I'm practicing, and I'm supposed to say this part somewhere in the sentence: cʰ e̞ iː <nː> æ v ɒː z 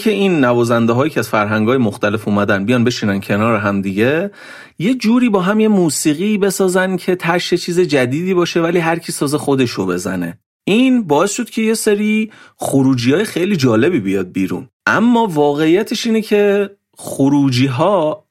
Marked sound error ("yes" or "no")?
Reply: no